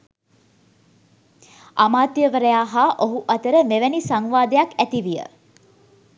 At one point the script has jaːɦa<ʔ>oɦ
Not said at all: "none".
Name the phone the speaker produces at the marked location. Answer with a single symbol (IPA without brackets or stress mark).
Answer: ʔ